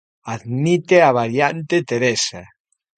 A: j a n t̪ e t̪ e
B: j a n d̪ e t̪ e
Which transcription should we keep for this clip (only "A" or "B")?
A